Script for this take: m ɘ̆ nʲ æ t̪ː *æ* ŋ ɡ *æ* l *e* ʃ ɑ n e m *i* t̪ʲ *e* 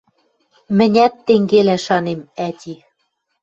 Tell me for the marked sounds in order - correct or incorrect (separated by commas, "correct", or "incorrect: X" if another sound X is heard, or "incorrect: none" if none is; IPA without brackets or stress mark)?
incorrect: e, incorrect: e, incorrect: æ, incorrect: æ, incorrect: i